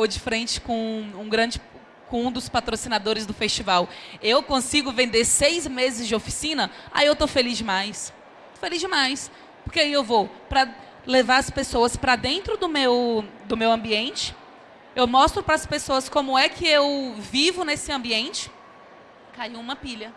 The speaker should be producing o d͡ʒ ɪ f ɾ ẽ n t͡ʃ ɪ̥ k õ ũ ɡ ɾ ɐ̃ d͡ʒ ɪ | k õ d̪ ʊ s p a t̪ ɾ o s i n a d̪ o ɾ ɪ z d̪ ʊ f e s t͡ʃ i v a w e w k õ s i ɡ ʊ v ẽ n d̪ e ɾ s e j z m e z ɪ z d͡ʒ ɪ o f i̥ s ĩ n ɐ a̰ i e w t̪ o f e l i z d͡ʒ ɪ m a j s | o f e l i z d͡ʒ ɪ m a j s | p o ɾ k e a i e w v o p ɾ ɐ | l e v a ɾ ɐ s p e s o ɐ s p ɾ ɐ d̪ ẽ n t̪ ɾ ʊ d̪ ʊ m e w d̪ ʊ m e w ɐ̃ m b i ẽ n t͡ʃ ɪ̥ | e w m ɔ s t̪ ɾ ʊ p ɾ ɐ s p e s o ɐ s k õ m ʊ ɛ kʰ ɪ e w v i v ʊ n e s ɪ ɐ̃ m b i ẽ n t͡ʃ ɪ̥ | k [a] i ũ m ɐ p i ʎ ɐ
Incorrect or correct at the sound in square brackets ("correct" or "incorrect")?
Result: correct